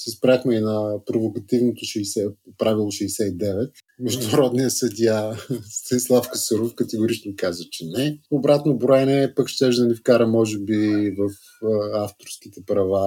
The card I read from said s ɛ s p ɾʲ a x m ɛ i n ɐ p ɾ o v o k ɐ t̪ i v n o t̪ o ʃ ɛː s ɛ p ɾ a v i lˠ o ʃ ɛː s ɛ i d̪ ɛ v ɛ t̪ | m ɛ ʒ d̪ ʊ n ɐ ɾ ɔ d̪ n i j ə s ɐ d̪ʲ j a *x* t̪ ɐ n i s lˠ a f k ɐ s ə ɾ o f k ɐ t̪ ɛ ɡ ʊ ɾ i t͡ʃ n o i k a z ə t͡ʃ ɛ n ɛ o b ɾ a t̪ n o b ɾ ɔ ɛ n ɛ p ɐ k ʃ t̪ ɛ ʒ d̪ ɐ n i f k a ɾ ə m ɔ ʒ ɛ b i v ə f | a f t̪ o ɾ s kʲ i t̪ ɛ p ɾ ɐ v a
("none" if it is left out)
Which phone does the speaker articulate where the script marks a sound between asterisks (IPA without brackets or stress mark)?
s